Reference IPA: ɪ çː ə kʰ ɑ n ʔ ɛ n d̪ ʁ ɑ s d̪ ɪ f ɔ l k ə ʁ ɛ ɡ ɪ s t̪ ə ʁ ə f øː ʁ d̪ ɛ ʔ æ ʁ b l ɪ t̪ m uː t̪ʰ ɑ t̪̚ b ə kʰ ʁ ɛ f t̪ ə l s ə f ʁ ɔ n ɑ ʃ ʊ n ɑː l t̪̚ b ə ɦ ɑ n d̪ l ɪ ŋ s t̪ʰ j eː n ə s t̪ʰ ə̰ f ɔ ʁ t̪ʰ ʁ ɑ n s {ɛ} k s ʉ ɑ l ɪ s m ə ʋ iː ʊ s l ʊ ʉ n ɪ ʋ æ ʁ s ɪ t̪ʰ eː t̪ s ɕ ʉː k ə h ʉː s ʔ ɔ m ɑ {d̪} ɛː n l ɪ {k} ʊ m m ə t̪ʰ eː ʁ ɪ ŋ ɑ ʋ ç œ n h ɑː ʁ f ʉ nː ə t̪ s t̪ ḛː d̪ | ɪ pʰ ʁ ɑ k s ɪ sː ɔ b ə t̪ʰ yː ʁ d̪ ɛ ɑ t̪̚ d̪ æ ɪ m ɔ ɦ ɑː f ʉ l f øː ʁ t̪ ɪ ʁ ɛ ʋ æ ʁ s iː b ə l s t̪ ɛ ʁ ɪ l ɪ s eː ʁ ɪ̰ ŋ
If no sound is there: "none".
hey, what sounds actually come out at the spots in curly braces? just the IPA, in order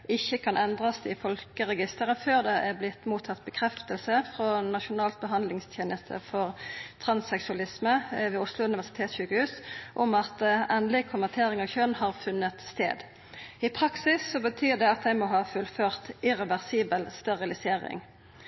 ɛ, t̪, kʰ

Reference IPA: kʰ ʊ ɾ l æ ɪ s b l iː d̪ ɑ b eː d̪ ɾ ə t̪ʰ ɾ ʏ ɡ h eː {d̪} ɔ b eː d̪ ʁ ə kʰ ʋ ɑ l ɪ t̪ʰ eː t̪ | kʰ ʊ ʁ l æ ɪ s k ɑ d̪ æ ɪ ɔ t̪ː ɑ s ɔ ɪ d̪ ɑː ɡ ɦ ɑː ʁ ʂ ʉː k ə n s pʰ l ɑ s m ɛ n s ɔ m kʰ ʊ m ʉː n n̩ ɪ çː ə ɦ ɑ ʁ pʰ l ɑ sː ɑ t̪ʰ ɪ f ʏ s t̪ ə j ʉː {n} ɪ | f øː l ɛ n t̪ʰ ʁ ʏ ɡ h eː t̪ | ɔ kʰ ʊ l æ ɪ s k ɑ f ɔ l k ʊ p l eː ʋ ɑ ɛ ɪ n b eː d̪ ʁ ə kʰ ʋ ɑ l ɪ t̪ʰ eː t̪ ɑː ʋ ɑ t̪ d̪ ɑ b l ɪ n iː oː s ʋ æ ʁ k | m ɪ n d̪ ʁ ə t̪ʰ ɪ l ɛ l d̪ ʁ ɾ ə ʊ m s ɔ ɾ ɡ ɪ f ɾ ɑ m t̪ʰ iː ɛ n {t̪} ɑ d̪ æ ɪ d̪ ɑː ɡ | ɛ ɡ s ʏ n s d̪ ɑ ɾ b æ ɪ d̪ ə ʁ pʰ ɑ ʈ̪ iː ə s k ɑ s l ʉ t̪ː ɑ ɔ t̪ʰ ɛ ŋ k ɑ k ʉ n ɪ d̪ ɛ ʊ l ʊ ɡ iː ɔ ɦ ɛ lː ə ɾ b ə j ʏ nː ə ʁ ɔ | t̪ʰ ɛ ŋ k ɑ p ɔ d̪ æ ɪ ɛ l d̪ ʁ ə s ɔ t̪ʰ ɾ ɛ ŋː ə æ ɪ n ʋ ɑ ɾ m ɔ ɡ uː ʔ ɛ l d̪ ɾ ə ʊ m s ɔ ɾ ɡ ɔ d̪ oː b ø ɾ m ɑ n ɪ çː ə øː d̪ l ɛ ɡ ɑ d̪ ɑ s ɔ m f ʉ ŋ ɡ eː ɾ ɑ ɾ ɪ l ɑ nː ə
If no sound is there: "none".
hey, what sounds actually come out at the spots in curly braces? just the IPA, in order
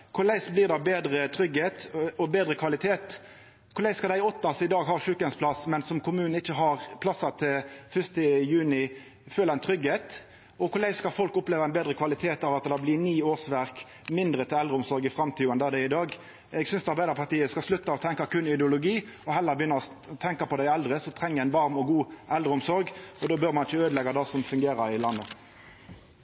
t̪, n, d̪

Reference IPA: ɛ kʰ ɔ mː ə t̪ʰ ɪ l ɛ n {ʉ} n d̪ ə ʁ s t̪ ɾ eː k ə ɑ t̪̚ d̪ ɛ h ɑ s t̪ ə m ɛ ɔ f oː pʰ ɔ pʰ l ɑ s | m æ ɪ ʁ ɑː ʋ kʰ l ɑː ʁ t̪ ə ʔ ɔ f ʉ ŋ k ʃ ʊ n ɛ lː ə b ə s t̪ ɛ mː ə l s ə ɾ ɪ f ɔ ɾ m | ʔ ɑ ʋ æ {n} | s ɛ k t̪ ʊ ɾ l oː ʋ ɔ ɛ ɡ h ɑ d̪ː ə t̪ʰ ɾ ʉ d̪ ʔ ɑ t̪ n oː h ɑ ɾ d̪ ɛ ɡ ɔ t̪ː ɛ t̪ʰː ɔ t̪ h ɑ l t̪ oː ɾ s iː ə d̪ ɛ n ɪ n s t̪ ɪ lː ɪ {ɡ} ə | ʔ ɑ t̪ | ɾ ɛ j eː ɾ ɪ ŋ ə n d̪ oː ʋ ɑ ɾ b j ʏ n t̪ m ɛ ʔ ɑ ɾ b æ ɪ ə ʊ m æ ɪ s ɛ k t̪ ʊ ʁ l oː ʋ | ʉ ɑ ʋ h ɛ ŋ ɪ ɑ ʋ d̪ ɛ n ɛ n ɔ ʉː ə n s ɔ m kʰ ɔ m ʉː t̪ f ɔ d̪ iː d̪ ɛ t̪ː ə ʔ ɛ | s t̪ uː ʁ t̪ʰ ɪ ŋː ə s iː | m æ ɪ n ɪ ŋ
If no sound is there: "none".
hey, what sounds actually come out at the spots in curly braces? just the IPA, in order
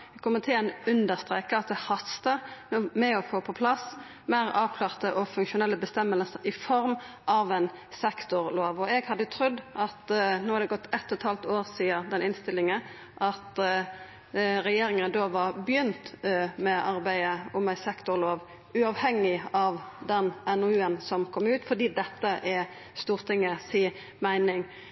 ʉ, n, ŋ

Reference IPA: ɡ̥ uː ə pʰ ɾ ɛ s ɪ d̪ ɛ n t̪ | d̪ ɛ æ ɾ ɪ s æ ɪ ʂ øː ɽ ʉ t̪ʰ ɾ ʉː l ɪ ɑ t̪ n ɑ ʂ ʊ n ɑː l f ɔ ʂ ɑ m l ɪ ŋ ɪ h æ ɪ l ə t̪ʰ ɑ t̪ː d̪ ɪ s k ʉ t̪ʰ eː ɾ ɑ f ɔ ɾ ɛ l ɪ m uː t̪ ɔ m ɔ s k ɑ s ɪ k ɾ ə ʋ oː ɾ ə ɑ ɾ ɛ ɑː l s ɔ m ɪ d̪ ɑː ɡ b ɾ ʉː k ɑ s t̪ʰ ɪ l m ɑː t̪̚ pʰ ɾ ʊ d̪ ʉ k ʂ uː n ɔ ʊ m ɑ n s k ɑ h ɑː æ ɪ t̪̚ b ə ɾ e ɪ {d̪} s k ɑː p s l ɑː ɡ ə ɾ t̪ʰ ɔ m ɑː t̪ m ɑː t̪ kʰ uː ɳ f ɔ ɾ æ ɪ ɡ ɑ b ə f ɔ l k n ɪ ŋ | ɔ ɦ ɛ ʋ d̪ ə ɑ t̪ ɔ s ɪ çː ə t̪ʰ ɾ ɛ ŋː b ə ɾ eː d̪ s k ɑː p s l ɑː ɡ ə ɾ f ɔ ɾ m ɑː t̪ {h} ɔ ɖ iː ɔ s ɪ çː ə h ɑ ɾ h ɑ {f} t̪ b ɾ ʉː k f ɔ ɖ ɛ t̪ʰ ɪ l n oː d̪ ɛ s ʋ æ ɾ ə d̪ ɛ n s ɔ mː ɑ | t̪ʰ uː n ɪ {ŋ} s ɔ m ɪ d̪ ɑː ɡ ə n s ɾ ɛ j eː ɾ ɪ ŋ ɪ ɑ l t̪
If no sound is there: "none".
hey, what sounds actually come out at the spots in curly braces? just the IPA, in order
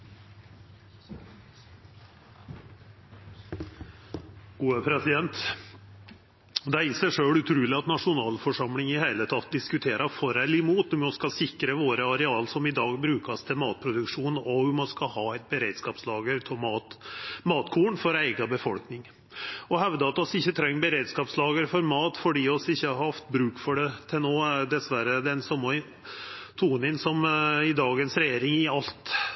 d̪, f, f, n

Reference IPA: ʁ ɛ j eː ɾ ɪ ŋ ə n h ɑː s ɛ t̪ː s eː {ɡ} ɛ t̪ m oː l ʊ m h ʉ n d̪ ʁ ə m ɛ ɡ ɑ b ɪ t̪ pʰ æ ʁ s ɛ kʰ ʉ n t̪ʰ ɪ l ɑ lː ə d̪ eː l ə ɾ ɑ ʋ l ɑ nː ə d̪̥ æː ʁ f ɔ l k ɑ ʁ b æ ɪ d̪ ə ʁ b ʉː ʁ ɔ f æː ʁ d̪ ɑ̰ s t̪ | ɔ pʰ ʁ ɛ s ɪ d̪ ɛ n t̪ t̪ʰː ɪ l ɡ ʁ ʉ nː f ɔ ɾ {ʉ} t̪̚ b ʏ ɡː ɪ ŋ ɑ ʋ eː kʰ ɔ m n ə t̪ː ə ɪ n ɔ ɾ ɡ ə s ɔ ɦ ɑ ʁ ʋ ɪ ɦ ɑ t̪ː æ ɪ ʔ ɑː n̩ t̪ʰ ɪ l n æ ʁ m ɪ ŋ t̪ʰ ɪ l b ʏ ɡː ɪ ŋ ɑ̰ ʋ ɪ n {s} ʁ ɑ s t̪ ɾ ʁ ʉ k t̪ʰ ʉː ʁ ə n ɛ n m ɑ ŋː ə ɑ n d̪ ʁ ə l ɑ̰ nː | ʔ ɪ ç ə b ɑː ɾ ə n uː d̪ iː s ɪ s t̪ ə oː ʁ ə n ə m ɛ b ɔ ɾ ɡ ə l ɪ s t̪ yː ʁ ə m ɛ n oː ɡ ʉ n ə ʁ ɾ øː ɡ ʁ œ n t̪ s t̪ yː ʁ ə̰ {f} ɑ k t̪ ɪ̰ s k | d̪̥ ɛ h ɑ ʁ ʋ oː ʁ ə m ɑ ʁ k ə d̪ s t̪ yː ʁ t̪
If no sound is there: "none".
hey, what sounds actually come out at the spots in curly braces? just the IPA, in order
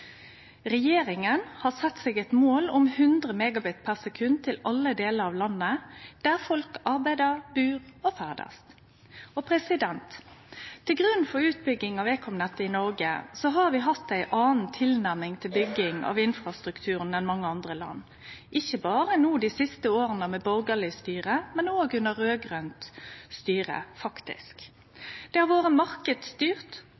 ɡ, ʉː, f, f

